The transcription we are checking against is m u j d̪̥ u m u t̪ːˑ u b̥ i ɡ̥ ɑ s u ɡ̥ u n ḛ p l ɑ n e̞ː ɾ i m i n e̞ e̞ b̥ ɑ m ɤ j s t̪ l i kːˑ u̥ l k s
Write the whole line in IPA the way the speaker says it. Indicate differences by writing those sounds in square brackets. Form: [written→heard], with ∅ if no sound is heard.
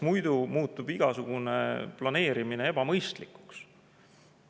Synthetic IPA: m u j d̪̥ u m [u→uː] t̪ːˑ u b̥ i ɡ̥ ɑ s u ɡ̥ u n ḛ p l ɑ n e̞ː ɾ i m i n e̞ e̞ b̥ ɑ m ɤ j s t̪ l i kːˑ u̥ [l→∅] k s